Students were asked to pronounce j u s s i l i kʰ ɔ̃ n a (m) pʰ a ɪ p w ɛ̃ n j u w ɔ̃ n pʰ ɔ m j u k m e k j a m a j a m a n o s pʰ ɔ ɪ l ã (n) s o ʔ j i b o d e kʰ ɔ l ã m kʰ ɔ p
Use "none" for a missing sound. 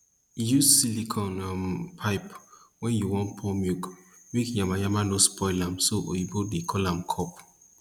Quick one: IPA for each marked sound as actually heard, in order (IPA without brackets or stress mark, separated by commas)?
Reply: m, m